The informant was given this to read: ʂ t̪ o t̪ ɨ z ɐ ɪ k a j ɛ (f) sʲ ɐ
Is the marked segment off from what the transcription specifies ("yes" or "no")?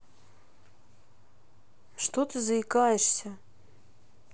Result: yes